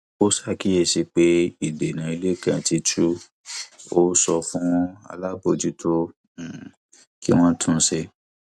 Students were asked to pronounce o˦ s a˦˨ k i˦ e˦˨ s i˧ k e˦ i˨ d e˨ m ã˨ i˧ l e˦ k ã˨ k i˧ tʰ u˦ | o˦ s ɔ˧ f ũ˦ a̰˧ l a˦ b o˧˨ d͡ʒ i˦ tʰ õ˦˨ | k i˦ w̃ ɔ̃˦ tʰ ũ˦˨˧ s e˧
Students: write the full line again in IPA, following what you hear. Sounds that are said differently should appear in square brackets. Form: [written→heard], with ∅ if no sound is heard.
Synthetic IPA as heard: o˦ s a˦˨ k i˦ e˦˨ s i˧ [k→k͡p] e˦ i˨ d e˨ [m→n] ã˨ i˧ l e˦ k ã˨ [k→t] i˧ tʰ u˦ | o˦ s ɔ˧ f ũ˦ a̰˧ l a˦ b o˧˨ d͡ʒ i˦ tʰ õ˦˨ | k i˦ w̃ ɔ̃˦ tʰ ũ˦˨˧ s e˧

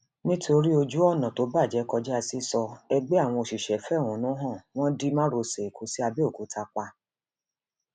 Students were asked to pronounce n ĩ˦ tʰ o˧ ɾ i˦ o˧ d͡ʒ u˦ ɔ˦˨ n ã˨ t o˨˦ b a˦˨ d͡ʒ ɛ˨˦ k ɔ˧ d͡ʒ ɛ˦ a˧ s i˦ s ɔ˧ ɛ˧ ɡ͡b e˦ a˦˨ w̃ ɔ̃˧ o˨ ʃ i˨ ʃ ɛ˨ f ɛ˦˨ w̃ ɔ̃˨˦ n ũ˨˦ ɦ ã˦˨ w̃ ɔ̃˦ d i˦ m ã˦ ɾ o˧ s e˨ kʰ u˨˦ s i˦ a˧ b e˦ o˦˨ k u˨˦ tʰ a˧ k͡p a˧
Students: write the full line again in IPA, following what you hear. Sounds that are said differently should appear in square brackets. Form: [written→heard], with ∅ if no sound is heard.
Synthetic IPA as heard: n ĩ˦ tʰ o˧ ɾ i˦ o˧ d͡ʒ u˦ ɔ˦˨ n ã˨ t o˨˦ b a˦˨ d͡ʒ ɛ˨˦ k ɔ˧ d͡ʒ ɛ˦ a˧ s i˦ s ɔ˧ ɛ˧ ɡ͡b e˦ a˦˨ w̃ ɔ̃˧ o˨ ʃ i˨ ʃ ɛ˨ f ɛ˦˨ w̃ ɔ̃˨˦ n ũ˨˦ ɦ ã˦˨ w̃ ɔ̃˦ d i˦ m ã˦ ɾ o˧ s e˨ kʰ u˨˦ s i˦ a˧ b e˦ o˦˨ k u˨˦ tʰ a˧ k͡p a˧

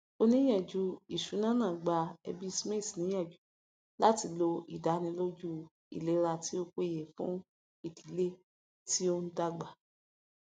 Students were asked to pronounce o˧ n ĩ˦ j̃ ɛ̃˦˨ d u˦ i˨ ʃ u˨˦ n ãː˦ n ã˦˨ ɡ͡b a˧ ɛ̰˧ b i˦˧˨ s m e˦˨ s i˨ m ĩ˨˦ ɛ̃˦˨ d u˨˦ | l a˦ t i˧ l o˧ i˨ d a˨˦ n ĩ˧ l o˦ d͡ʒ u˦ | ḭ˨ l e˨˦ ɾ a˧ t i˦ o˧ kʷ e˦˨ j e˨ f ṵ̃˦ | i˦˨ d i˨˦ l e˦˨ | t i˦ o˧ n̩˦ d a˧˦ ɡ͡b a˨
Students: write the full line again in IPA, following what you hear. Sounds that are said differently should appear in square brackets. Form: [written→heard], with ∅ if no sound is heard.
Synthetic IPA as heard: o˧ n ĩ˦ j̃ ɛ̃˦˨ [d→d͡ʒ] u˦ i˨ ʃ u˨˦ n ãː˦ n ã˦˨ ɡ͡b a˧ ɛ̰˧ b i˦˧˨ s m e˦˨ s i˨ [m→n] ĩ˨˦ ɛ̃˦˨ [d→d͡ʒ] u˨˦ | l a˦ t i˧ l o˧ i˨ d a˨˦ n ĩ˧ l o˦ d͡ʒ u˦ | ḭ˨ l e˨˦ ɾ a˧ t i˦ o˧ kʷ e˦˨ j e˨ f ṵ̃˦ | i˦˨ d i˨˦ l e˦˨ | t i˦ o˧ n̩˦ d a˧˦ ɡ͡b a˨

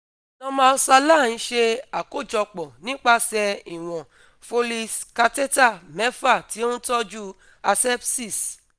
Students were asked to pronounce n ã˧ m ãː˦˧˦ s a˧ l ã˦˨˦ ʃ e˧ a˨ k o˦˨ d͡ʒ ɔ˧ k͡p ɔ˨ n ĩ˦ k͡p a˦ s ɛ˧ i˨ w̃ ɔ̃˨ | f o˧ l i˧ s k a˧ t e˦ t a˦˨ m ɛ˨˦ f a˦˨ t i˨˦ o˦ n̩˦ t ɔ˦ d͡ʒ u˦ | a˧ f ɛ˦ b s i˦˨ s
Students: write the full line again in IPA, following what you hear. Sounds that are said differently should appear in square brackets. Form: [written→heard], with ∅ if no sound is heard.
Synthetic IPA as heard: n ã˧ m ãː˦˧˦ s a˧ l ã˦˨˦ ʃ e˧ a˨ k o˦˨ d͡ʒ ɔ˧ k͡p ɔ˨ n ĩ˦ k͡p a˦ s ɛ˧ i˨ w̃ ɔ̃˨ | f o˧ l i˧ s k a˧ t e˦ t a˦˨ m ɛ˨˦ f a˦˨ t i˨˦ o˦ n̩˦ t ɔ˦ d͡ʒ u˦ | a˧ [f→s] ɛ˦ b s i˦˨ s

